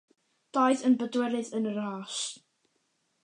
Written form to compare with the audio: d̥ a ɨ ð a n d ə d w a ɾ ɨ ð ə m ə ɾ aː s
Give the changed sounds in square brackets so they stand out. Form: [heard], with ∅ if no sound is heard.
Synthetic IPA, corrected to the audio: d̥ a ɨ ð [ə] n [b] ə d w [ɛ] ɾ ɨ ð ə [n] ə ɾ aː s